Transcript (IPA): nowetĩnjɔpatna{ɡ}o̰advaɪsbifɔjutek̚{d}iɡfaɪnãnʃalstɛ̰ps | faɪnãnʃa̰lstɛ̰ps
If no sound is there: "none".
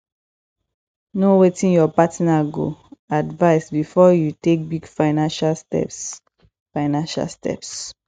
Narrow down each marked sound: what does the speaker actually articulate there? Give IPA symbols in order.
ɡ, b

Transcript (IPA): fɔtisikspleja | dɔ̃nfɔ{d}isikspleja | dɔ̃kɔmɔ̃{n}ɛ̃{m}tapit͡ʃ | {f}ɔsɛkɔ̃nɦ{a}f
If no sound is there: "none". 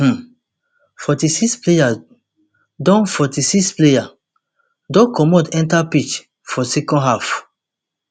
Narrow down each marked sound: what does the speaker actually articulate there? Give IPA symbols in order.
t, d, n, f, a

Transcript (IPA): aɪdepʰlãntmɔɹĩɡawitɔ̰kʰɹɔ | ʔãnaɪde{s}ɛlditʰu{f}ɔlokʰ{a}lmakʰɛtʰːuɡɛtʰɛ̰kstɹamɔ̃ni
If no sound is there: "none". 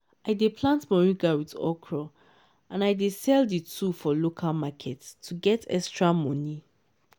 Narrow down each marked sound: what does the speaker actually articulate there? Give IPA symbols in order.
s, f, a

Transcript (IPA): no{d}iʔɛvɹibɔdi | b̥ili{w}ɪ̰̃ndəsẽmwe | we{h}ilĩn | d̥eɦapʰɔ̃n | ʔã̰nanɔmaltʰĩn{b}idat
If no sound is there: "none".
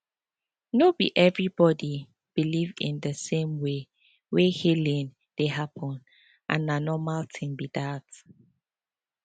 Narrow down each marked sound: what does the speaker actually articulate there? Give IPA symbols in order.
b, v, h, b

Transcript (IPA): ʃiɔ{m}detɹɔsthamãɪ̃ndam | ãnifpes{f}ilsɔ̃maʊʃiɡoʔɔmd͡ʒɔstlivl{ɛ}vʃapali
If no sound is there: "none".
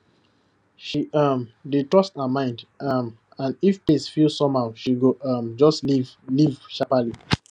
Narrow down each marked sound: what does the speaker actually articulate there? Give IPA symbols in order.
m, f, i

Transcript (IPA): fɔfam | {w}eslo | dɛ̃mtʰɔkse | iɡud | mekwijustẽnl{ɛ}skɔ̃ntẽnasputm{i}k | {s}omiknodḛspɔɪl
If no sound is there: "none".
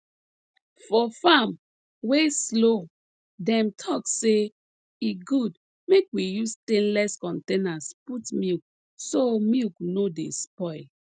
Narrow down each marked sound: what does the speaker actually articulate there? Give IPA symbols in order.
w, ɛ, i, s

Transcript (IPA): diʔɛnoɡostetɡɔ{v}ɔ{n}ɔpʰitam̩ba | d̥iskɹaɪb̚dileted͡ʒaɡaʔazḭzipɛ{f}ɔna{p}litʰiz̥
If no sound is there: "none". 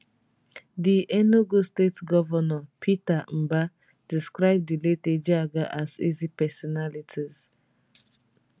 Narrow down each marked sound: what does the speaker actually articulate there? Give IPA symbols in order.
v, n, s, none

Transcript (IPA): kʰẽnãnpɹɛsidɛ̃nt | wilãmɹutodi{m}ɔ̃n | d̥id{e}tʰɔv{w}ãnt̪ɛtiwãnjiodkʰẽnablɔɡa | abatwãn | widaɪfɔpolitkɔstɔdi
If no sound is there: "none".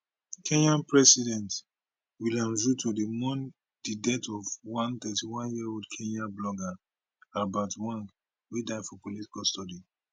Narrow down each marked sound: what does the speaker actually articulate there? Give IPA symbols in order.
m, ɛ, w

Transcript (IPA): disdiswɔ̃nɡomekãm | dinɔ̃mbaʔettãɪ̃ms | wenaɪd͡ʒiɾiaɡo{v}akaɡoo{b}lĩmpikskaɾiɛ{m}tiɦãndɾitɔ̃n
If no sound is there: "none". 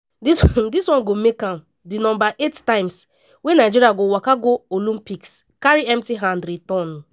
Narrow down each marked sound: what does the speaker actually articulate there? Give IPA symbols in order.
w, none, m

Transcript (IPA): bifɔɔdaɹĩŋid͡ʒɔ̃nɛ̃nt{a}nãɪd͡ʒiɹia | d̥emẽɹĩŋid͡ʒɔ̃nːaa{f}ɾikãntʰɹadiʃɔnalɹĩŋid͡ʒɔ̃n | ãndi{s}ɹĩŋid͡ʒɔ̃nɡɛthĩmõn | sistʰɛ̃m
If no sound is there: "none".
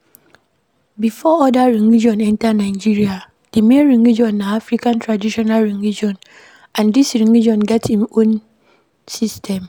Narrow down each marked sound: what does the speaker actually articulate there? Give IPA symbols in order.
a, f, s

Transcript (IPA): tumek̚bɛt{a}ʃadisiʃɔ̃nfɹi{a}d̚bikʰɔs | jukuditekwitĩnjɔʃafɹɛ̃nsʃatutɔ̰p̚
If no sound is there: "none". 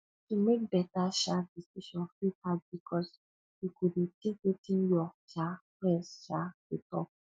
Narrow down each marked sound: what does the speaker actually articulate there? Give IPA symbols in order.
a, a

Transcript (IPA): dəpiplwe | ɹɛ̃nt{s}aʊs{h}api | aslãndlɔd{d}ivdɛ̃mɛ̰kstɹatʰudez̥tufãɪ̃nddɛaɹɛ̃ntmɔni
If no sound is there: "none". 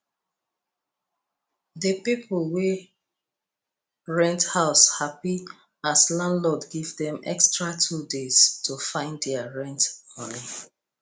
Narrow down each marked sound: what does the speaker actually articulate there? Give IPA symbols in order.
h, h, ɡ

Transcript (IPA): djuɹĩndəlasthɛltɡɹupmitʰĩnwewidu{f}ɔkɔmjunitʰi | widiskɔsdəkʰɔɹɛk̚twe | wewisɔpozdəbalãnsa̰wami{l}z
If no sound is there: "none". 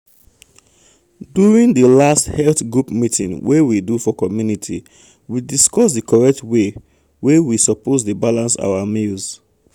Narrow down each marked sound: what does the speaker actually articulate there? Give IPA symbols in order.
f, l

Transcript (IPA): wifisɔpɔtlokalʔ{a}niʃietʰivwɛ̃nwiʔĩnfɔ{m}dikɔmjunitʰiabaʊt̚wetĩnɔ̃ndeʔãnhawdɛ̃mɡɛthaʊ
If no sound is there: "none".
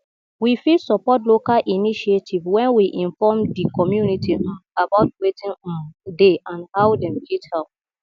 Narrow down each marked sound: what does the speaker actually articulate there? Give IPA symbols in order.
i, m

